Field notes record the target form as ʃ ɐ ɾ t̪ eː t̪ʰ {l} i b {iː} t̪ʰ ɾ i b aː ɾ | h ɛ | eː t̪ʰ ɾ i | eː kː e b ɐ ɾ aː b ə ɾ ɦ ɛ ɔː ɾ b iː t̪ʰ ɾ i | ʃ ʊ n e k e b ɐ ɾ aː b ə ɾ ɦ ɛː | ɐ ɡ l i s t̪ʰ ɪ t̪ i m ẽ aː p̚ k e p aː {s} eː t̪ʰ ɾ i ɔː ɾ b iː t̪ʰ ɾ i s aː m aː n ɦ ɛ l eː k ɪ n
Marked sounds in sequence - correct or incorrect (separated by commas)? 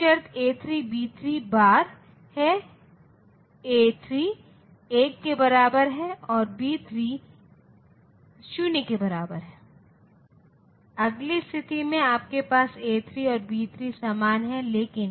incorrect, correct, correct